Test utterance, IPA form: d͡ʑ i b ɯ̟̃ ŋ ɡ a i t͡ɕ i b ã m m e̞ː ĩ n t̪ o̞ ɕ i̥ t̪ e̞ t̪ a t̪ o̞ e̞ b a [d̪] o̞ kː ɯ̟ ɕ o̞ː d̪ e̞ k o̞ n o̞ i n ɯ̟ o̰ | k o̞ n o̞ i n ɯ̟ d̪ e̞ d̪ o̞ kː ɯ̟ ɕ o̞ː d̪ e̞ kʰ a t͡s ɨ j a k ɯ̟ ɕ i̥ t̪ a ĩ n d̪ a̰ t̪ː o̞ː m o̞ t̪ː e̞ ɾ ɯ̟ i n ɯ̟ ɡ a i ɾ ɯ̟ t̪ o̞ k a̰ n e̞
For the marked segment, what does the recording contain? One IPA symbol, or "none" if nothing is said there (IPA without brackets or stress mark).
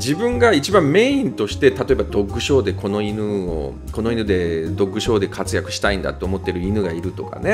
d̪